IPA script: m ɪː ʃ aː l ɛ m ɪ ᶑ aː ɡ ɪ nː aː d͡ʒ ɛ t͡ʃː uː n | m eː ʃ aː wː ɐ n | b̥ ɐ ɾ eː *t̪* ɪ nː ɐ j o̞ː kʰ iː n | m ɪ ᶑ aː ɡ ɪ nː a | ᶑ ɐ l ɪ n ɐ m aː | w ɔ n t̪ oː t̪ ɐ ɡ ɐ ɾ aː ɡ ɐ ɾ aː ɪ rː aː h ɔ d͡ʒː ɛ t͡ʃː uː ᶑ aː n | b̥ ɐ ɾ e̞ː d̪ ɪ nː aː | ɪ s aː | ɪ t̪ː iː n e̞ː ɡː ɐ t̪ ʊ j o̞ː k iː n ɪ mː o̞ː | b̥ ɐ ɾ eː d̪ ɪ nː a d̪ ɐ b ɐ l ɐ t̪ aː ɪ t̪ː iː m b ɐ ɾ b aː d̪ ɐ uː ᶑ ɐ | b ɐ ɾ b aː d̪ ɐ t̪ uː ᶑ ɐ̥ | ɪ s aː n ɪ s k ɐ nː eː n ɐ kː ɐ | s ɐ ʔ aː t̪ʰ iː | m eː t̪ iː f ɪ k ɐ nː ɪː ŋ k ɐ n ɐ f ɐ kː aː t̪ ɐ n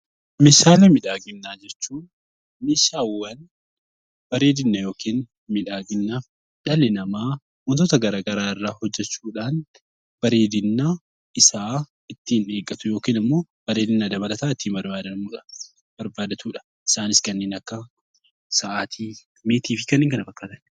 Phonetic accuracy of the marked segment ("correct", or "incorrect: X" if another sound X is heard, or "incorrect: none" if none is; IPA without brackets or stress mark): incorrect: d̪